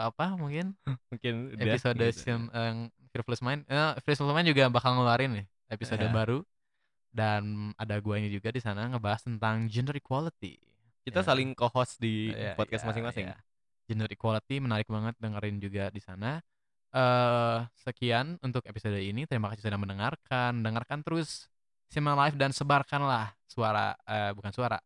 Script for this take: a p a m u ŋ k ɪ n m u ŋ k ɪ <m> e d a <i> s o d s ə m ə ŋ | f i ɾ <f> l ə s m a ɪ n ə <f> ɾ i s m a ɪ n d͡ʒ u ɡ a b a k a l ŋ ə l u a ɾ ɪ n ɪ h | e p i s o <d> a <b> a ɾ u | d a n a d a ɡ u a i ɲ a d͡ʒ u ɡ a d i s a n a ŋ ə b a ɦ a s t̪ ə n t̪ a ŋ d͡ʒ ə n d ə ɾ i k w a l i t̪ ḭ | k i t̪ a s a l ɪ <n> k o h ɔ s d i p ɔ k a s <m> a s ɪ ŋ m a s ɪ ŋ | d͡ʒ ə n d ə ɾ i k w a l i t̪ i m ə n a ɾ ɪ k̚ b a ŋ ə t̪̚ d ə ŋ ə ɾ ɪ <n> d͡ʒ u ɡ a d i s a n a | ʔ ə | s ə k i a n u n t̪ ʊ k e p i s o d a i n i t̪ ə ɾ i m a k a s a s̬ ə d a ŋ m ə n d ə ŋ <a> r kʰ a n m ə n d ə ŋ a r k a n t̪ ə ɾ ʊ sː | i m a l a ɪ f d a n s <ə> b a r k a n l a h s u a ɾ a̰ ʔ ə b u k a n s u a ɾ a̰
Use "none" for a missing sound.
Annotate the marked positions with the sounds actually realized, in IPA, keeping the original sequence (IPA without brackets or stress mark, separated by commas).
n, i, f, f, d, b, ŋ, m, n, a, ə